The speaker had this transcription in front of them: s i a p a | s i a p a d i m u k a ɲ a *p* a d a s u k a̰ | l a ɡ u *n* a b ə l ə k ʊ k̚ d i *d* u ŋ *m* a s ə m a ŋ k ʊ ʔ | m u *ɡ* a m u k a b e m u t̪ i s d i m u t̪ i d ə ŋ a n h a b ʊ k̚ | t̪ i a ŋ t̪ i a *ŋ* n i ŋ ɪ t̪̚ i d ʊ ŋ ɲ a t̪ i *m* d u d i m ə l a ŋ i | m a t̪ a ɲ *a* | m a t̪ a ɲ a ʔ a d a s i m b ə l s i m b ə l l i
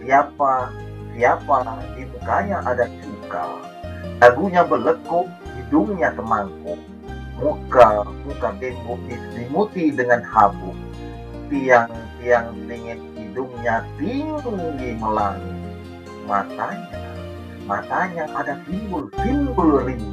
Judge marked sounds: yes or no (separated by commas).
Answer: no, no, yes, no, no, yes, no, yes